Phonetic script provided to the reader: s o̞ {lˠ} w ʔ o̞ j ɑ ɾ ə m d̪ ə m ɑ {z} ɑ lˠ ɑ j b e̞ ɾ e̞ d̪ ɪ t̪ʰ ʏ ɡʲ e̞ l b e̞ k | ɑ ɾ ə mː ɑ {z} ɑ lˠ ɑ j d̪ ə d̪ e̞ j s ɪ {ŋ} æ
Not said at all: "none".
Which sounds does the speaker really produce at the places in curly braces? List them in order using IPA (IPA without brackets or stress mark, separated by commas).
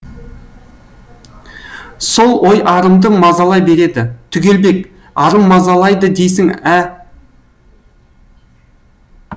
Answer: lˠ, z, z, ŋ